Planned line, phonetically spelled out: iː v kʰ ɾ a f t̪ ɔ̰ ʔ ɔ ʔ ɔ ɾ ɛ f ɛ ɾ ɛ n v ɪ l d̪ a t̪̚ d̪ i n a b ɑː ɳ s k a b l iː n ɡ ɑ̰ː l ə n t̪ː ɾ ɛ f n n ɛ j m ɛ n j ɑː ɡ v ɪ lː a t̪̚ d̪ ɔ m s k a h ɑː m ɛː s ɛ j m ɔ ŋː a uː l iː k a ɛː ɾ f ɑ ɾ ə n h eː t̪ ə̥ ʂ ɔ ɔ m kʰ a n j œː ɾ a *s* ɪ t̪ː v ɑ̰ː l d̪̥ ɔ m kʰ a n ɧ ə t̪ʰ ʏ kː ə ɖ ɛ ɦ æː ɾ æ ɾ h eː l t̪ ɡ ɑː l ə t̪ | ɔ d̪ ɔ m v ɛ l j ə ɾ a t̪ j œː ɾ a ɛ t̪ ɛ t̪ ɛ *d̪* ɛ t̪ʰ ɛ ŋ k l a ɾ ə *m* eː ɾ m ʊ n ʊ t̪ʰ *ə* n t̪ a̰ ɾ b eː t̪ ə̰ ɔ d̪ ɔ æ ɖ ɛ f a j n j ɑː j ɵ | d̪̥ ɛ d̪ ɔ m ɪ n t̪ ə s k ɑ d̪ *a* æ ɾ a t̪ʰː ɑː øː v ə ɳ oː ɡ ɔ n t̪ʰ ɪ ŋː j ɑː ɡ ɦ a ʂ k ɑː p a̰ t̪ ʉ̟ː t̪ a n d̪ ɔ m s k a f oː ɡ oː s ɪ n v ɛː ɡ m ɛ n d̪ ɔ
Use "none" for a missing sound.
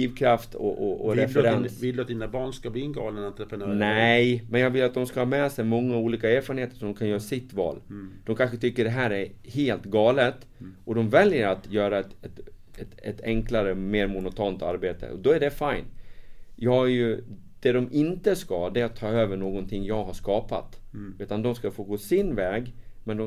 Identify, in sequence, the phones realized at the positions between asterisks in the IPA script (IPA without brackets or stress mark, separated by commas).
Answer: s, t̪, m, ɑ, ɛ